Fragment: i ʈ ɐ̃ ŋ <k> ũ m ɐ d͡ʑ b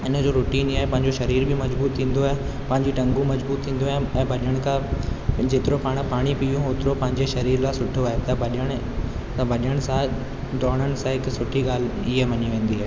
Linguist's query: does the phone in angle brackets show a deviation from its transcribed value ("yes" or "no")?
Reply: yes